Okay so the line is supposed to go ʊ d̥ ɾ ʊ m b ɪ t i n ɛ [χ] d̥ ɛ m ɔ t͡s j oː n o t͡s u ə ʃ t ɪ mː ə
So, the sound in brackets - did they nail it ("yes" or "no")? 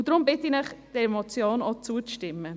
yes